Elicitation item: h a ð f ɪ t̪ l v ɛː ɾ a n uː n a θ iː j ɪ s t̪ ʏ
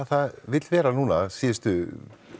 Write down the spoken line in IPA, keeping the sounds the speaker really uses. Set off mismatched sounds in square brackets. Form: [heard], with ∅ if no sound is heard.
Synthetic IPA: [θ] a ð [v] ɪ t̪ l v ɛː ɾ a n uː n a [s] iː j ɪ s t̪ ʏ